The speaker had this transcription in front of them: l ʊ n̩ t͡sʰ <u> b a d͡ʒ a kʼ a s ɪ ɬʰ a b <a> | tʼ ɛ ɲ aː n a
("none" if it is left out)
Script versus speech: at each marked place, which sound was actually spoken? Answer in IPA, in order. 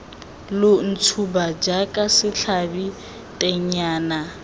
u, i

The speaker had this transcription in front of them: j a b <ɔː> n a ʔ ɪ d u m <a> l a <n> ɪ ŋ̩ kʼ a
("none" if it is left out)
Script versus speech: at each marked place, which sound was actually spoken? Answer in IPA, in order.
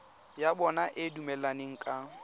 ɔ, ɛ, n

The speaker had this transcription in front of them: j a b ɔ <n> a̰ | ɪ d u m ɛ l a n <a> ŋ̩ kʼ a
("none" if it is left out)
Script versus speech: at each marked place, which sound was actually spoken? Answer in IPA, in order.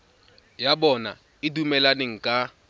n, e

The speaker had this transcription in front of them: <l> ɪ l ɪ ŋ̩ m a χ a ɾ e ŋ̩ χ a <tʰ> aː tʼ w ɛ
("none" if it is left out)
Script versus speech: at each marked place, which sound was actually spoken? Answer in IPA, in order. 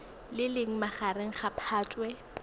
l, pʰ

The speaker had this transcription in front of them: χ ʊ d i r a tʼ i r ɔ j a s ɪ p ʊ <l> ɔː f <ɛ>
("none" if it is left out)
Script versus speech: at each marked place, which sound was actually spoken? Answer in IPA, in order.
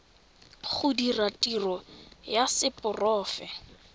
r, ɛ

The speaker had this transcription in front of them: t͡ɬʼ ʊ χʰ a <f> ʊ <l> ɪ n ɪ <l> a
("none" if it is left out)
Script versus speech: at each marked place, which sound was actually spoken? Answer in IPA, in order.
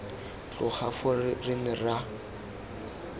f, r, r

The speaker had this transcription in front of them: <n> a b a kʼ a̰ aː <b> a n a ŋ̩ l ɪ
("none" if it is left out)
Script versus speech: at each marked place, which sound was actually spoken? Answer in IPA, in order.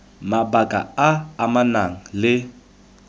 m, m

